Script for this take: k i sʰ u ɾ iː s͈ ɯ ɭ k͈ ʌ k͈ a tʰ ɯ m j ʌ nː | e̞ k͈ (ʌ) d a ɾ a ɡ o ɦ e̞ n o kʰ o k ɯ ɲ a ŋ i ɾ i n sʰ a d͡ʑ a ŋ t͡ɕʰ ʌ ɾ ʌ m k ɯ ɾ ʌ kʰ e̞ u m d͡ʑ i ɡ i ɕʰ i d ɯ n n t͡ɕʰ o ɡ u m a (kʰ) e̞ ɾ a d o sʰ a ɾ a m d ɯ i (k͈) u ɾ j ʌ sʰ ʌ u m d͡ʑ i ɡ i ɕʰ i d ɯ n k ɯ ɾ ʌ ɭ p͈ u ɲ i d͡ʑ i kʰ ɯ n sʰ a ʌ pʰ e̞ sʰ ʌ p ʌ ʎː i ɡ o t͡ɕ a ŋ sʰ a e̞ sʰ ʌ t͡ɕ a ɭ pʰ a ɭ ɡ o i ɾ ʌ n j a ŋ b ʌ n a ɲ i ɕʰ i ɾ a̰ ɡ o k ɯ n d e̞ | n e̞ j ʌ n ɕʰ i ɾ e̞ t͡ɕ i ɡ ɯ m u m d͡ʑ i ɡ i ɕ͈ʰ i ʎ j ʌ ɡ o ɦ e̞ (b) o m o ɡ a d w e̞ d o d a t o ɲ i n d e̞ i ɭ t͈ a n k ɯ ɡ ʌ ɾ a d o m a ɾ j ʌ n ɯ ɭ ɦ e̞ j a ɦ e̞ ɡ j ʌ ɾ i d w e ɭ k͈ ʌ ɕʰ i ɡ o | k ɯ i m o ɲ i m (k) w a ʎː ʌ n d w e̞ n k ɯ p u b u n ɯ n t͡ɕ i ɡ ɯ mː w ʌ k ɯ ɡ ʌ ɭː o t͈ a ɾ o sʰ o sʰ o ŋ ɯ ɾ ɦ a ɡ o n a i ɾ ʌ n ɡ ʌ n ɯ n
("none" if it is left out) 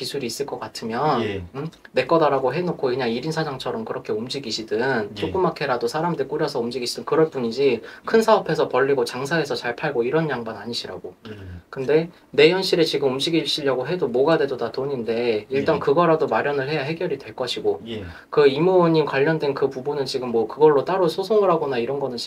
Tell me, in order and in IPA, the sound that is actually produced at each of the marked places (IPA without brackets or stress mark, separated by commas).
ʌ, kʰ, k͈, d, k